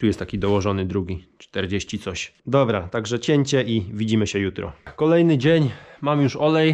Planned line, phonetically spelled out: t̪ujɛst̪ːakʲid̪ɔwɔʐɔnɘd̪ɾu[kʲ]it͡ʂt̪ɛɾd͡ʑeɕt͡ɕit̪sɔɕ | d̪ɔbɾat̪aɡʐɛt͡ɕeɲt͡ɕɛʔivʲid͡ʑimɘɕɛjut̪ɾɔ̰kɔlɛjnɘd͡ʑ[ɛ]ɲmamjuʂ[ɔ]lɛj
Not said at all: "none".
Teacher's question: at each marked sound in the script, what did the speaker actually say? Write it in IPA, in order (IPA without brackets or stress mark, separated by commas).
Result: ɡʲ, e, ɔ